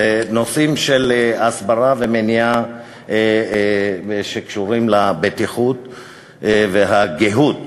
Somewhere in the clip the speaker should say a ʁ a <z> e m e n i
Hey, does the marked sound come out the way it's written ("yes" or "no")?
no